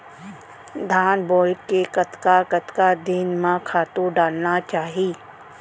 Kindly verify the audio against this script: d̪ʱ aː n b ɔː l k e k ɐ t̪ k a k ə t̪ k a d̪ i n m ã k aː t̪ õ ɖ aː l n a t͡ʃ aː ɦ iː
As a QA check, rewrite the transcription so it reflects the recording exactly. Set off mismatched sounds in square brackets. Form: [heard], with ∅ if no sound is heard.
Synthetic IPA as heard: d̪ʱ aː n b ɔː l k e k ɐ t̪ k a k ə t̪ k a d̪ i n m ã [kʰ] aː t̪ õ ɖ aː l n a t͡ʃ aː ɦ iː